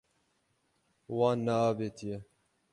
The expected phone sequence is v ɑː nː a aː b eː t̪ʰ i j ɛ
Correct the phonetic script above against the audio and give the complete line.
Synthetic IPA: w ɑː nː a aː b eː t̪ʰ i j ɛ